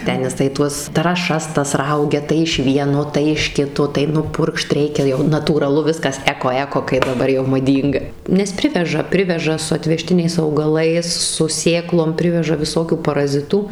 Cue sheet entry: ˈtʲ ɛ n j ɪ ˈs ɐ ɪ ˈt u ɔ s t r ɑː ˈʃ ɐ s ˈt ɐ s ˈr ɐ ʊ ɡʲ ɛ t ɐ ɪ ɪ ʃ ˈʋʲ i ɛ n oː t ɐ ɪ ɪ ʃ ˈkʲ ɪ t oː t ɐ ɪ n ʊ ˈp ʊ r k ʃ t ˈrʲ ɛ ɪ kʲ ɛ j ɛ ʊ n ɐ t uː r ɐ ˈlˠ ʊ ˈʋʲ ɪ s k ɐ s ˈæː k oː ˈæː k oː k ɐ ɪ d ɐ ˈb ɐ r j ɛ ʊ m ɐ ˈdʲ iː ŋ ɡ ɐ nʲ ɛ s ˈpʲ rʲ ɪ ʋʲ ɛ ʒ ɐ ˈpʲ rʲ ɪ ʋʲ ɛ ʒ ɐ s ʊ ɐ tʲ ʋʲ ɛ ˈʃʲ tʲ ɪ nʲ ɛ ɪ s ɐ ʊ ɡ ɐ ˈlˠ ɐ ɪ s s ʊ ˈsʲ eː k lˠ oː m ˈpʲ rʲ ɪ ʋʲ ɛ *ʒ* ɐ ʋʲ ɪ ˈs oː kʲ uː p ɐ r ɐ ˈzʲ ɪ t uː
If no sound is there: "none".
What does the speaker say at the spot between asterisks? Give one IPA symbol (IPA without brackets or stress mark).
ʒ